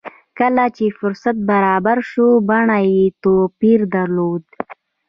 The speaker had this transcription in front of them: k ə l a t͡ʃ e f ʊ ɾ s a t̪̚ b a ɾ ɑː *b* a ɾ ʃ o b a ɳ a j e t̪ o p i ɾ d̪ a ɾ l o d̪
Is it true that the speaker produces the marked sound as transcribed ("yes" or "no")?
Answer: yes